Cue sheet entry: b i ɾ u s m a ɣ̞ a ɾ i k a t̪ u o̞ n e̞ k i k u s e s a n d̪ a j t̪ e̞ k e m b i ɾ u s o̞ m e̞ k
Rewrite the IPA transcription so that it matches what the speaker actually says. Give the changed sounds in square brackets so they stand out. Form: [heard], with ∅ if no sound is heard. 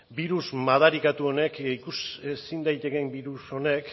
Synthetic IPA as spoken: b i ɾ u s m a [ð̞] a ɾ i k a t̪ u o̞ n e̞ k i k u s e s [i] n d̪ a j t̪ e̞ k e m b i ɾ u s o̞ [n] e̞ k